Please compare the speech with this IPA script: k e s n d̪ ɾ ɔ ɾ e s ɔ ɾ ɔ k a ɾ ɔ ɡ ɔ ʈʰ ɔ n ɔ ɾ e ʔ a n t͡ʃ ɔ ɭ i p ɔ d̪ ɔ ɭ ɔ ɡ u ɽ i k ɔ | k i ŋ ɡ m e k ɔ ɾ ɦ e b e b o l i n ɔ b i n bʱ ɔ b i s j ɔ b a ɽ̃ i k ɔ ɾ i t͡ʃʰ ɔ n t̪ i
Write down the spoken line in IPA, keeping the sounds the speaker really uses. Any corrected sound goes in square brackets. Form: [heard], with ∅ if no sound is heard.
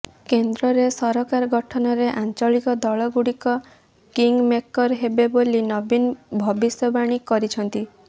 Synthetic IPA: k e [∅] n d̪ ɾ ɔ ɾ e s ɔ ɾ ɔ k a ɾ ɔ ɡ ɔ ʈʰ ɔ n ɔ ɾ e ʔ a n t͡ʃ ɔ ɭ i [k] ɔ d̪ ɔ ɭ ɔ ɡ u ɽ i k ɔ | k i ŋ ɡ m e k ɔ ɾ ɦ e b e b o l i n ɔ b i n bʱ ɔ b i s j ɔ b a ɽ̃ i k ɔ ɾ i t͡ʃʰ ɔ n t̪ i